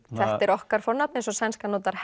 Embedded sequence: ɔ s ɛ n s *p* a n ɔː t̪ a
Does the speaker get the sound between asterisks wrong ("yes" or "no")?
yes